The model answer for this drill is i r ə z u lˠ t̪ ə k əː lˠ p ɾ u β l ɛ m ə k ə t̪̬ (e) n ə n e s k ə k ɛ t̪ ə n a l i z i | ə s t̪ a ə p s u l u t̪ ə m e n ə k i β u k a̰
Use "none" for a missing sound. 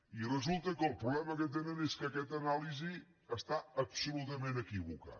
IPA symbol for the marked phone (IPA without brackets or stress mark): e